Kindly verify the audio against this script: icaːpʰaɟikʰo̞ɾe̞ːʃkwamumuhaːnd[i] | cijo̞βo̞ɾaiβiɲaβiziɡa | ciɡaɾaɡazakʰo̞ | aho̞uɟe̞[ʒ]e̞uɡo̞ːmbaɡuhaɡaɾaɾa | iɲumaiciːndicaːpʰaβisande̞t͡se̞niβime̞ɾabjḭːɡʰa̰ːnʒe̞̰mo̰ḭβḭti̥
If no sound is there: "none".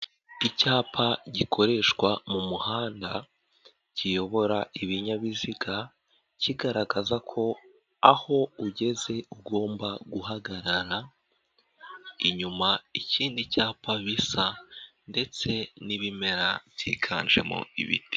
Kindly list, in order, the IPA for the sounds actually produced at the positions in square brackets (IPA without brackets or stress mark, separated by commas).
a, z